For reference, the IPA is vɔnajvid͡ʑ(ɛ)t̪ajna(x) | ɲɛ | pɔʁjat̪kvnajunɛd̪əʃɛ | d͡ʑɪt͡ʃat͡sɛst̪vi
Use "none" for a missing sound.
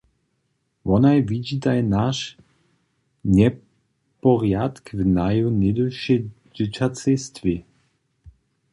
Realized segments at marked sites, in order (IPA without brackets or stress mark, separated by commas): i, ʃ